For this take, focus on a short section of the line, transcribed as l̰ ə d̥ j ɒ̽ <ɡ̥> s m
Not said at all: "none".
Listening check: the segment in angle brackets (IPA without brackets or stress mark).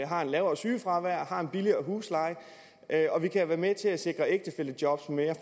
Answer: b̥